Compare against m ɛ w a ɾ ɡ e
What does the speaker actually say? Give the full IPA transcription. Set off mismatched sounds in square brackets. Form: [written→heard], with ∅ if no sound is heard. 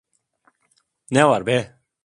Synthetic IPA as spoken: [m→n] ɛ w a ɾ [ɡ→b] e